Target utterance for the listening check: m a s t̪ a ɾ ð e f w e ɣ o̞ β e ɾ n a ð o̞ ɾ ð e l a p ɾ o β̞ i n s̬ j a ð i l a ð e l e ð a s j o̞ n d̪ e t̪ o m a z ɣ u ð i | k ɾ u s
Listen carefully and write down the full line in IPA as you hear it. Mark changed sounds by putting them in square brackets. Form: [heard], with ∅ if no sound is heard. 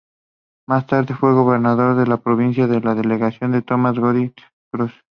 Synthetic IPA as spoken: m a s t̪ a ɾ ð e f w e ɣ o̞ β e ɾ n a ð o̞ ɾ ð e l a p ɾ o β̞ i n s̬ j a ð [e] l a ð e l e [ɣ] a s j o̞ n d̪ e t̪ o m a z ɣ [o] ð i | k ɾ u s